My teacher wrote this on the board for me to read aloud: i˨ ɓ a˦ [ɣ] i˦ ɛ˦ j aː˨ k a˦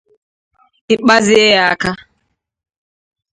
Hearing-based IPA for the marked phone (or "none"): z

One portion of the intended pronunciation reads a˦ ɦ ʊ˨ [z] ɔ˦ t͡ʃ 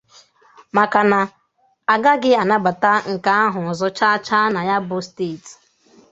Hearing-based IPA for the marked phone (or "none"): z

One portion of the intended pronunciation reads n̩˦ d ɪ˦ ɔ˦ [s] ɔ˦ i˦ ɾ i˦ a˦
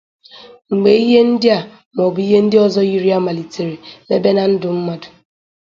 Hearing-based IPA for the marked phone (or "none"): z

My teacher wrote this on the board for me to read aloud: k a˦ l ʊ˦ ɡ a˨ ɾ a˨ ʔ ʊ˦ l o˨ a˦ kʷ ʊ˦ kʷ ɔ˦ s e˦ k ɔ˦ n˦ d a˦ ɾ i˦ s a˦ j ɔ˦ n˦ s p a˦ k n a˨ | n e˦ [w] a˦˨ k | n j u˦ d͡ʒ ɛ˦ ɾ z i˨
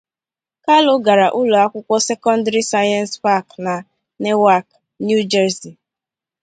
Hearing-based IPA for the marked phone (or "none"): w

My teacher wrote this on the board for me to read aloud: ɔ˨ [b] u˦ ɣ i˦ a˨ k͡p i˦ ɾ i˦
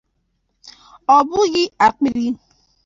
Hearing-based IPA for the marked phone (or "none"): b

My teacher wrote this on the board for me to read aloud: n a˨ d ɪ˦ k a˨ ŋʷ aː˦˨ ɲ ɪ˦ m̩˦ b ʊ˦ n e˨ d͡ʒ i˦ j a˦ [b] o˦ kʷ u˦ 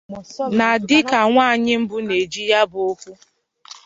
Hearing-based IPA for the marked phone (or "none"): b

